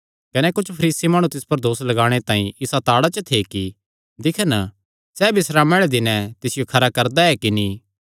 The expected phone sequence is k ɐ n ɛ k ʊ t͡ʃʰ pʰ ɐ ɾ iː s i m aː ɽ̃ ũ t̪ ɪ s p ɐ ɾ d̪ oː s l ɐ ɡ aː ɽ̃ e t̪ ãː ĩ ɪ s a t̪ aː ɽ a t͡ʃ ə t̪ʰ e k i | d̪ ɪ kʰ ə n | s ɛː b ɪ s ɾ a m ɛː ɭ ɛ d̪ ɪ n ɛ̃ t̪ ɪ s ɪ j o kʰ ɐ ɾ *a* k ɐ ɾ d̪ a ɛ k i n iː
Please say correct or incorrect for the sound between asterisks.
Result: correct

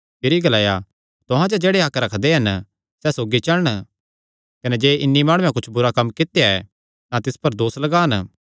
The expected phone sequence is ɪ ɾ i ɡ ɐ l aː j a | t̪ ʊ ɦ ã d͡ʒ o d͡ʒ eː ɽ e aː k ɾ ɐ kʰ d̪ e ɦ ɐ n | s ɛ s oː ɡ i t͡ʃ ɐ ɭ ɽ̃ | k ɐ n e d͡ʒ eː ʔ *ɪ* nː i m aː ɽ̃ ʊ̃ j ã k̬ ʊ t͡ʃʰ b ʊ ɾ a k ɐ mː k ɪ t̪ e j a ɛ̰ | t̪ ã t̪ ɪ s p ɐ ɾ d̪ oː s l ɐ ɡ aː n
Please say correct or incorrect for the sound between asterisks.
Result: correct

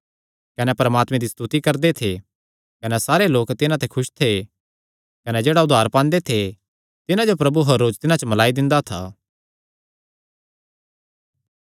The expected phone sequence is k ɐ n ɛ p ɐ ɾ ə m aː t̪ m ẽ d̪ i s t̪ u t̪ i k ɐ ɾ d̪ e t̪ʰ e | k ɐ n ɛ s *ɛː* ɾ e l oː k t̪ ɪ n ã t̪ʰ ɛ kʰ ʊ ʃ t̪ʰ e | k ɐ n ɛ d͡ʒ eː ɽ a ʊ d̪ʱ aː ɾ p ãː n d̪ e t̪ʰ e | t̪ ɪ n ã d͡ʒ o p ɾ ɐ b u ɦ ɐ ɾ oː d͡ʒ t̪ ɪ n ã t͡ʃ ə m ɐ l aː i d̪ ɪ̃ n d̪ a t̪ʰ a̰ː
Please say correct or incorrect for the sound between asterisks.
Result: incorrect: aː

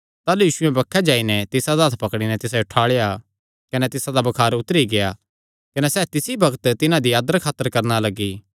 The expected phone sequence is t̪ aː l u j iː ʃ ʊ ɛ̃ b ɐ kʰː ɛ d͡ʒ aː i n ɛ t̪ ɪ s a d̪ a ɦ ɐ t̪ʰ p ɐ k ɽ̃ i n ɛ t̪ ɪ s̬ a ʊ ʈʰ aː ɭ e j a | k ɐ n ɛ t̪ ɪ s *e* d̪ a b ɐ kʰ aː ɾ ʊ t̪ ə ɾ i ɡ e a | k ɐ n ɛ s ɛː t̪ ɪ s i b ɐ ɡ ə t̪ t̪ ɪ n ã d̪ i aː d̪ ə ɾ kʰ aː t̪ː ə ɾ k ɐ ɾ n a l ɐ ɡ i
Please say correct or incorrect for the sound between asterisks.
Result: incorrect: a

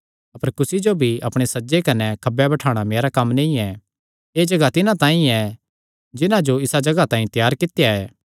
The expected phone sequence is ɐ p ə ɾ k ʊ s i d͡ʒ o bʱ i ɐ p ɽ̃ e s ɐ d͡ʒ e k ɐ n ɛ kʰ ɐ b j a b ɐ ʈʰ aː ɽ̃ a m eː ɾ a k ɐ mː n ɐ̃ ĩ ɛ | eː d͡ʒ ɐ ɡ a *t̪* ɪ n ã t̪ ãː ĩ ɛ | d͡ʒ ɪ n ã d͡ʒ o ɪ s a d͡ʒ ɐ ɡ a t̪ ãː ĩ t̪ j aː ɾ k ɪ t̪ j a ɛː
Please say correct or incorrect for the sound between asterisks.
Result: correct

